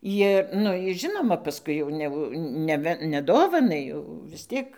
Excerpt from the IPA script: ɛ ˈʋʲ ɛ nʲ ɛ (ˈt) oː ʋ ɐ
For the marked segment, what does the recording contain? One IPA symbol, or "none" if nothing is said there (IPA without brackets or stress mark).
d